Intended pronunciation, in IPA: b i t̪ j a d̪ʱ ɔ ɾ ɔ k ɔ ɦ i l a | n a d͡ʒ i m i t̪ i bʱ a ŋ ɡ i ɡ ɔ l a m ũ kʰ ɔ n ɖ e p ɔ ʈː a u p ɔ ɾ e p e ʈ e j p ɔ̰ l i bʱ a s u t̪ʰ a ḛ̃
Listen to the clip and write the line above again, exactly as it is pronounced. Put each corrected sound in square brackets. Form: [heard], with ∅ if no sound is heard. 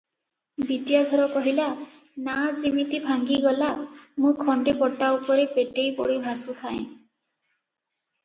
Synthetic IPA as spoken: b i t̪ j a d̪ʱ ɔ ɾ ɔ k ɔ ɦ i l a | n a d͡ʒ i m i t̪ i bʱ a ŋ ɡ i ɡ ɔ l a m ũ kʰ ɔ [ɳ] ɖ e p ɔ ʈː a u p ɔ ɾ e p e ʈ e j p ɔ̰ [ɽ] i bʱ a s u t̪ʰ a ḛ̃